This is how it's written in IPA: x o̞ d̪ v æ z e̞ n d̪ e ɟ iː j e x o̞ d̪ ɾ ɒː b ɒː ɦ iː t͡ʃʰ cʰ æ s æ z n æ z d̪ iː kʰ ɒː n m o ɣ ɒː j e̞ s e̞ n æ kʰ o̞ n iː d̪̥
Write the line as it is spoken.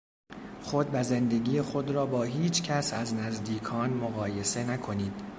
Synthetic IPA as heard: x o̞ d̪ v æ z e̞ n d̪ e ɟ iː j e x o̞ d̪ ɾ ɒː b ɒː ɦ iː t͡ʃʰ cʰ æ s æ z n æ z d̪ iː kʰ ɒː n m o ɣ ɒː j e̞ s e̞ n æ kʰ o̞ n iː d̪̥